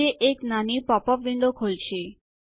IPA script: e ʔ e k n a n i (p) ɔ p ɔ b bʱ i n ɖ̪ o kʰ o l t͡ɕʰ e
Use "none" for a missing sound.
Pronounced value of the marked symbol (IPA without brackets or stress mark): p